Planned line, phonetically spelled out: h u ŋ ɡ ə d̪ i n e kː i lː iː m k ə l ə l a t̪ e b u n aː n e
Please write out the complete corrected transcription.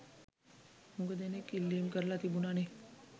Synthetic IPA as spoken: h u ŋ ɡ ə d̪ e n e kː i lː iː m k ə ɾ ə l a t̪ i b u n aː n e